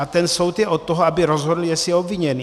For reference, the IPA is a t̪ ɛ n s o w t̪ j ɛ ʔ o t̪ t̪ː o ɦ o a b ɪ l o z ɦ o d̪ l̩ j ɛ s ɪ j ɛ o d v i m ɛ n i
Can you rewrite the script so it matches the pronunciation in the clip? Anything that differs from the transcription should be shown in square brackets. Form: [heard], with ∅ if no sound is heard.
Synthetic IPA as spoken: a t̪ ɛ n s o w t̪ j ɛ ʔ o t̪ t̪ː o ɦ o a b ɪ [ɾ] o z ɦ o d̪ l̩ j ɛ s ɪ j ɛ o [b] v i [ɲ] ɛ n i